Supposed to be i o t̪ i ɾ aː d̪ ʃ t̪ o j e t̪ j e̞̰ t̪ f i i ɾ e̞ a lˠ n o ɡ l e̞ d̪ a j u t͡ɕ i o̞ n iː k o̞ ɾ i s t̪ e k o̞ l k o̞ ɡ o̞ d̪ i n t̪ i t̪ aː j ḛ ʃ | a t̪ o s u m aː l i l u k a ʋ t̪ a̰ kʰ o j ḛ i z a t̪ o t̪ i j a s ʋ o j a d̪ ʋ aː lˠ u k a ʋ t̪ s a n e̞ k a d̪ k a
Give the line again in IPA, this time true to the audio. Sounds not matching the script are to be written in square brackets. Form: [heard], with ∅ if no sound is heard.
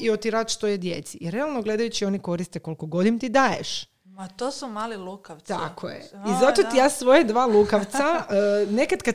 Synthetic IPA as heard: i o t̪ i ɾ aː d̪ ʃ t̪ o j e [d̪] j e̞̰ t̪ [s] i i ɾ e̞ a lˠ n o ɡ l e̞ d̪ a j u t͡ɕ i o̞ n [i] k o̞ ɾ i s t̪ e k o̞ l k o̞ ɡ o̞ d̪ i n t̪ i [d̪] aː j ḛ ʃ | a t̪ o s u m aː l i l u k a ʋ t̪ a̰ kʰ o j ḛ i z a t̪ o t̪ i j a s ʋ o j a d̪ ʋ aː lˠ u k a ʋ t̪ s a n e̞ k a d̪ k a